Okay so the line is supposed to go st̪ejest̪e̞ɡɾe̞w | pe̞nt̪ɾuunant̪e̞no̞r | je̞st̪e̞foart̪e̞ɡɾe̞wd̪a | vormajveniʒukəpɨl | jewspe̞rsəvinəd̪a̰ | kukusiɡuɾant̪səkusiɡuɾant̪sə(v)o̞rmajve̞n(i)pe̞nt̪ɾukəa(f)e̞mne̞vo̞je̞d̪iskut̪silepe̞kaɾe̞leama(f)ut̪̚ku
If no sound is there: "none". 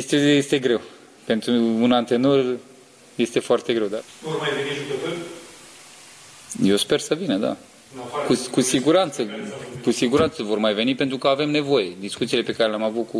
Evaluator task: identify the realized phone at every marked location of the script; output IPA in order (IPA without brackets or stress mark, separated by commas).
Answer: v, i, v, v